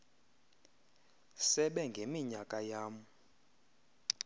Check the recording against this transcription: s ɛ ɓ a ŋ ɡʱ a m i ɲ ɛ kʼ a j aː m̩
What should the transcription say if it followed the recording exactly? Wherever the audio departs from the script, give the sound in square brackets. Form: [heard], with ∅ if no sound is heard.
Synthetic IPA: s ɛ ɓ [ɛ] ŋ ɡʱ [e] m i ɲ [a] kʼ a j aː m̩

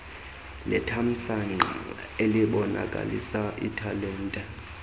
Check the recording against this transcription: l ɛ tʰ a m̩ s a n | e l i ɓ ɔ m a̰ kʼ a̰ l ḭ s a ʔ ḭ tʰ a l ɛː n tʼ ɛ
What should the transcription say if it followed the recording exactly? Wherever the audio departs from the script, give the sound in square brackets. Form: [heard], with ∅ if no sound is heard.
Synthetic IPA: l ɛ tʰ a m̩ s a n | e l i ɓ ɔ [n] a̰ kʼ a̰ l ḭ s a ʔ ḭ tʰ a l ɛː n tʼ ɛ

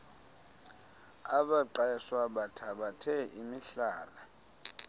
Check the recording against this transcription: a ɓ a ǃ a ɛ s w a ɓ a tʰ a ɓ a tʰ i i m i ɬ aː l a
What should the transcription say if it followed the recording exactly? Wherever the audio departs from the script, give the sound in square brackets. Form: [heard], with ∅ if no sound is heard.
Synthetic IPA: a ɓ a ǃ a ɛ s w a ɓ a tʰ a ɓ a tʰ [ɛ] i m i ɬ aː l a

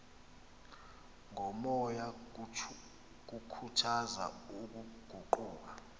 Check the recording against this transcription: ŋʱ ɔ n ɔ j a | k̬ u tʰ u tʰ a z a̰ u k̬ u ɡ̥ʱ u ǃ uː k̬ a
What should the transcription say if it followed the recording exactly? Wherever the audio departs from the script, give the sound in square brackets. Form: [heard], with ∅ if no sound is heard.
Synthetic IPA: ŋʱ ɔ [m] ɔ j a | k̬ u [kʰ] u tʰ a z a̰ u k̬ u ɡ̥ʱ u ǃ uː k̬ a

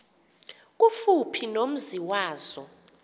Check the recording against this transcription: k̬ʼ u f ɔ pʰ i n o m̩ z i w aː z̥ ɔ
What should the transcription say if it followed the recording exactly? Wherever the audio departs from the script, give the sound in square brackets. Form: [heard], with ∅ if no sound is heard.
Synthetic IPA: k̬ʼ u f [u] pʰ i n o m̩ z i w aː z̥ ɔ

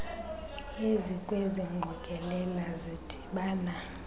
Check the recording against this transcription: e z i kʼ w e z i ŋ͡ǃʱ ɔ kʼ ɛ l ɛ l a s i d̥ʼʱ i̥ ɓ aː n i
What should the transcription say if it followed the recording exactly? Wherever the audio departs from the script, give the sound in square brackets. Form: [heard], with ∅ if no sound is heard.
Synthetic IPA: e z i kʼ w e z i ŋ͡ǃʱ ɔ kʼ ɛ l ɛ l a [z] i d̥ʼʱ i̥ ɓ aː n [a]

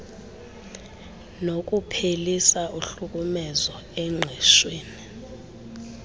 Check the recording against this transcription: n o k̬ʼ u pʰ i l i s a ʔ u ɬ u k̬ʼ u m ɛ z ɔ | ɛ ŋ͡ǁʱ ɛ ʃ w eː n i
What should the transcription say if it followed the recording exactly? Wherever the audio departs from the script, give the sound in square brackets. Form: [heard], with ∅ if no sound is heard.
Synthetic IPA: n o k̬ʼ u pʰ [e] l i s a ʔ u ɬ u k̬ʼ u m ɛ z ɔ | ɛ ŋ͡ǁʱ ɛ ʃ w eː n i

